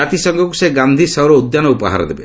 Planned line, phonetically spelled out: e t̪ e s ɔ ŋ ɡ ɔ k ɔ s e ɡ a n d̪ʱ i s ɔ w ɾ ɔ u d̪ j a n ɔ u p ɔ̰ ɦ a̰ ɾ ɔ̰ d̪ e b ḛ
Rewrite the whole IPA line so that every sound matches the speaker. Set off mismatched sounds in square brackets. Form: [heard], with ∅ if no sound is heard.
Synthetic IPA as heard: [a] t̪ [i] s ɔ ŋ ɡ ɔ k [u] s e ɡ a n d̪ʱ i s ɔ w ɾ ɔ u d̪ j a n ɔ u p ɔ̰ ɦ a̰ ɾ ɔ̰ d̪ e b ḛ